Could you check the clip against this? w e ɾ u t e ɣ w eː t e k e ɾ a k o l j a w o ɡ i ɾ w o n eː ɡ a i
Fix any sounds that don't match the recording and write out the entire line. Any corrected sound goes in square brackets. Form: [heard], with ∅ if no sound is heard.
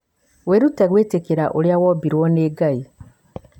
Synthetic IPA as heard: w e ɾ u t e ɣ w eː t e k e ɾ a [ʔ] o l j a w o [b] i ɾ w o n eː ɡ a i

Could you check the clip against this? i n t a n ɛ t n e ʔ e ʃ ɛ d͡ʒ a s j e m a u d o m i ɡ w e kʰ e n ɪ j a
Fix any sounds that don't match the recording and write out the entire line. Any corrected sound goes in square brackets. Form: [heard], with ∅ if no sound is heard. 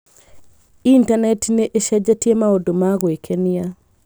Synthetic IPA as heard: i n t a n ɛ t n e ʔ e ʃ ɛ d͡ʒ a [t] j e m a [o] d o m [a] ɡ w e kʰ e n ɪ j a

